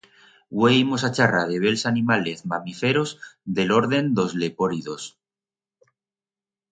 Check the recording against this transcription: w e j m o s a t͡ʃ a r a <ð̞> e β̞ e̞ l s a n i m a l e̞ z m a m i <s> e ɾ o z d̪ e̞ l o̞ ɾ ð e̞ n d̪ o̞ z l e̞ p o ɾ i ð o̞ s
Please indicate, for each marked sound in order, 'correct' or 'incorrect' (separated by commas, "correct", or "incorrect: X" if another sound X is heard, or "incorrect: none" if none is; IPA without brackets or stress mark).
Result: correct, incorrect: f